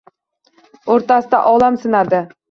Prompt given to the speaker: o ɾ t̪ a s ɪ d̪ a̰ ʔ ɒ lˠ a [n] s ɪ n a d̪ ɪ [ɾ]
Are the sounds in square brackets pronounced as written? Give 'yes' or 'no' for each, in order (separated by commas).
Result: no, no